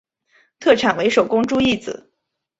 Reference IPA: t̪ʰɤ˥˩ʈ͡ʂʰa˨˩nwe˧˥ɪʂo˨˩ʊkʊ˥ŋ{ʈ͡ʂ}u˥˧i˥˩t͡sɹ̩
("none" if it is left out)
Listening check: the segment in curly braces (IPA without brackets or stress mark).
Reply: ʈ͡ʂ